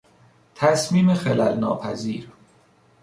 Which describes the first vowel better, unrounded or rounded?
unrounded